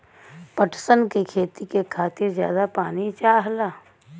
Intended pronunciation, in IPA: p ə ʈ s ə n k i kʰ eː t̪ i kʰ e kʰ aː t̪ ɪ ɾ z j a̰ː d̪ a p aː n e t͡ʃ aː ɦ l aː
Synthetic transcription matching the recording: p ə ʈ s ə n k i kʰ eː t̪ i k e kʰ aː t̪ ɪ ɾ z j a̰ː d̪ a p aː n i t͡ʃ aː ɦ l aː